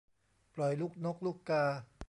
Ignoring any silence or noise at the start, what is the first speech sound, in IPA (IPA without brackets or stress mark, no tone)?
p